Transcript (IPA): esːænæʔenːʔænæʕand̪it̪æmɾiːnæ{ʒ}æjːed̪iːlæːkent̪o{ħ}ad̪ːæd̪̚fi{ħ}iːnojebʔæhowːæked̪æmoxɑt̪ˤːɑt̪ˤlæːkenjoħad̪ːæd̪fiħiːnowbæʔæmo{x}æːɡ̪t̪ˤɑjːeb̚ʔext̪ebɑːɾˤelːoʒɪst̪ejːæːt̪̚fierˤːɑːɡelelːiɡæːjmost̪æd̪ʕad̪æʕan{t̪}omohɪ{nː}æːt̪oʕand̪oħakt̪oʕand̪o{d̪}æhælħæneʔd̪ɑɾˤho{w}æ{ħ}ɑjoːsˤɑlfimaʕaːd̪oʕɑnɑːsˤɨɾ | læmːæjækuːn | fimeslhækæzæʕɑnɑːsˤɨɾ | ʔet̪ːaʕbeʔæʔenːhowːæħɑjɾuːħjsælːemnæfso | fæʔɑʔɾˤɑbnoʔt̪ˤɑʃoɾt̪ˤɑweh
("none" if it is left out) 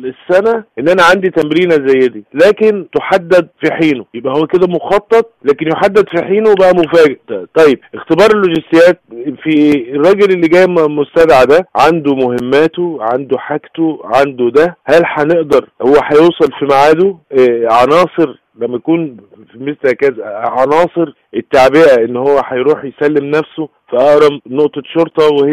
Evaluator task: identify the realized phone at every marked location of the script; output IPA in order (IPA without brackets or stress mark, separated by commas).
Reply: z, ħ, ħ, f, d̪, mː, d̪, wː, ħ